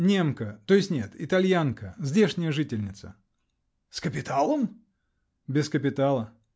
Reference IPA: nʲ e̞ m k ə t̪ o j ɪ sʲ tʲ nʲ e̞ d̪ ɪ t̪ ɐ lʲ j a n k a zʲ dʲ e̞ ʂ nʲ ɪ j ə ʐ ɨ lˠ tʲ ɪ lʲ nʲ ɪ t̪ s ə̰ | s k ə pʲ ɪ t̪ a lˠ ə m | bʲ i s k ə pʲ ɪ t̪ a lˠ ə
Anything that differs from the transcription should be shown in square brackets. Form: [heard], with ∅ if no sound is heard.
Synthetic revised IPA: nʲ e̞ m k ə t̪ o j ɪ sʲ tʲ nʲ e̞ [t̪] ɪ t̪ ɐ lʲ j a n k [ə] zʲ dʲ e̞ ʂ nʲ ɪ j ə ʐ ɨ [∅] tʲ ɪ lʲ nʲ ɪ t̪ s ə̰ | s k ə pʲ ɪ t̪ a lˠ ə m | bʲ [ɪ] s k ə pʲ ɪ t̪ a lˠ ə